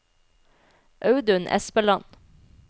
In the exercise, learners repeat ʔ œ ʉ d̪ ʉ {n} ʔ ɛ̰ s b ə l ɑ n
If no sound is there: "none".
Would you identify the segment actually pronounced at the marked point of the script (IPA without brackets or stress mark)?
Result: n